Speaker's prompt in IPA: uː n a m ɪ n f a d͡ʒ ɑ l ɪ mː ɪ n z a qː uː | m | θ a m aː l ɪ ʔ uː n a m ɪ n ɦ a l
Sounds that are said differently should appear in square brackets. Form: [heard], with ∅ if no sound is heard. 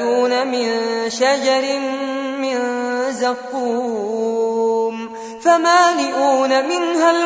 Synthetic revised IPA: uː n a m ɪ n [ʃ] a d͡ʒ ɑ [ɾ] ɪ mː ɪ n z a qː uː | m | [f] a m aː l ɪ ʔ uː n a m ɪ n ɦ a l